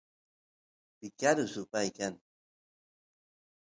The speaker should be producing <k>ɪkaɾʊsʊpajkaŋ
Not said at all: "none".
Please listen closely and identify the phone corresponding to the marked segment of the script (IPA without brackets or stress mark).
p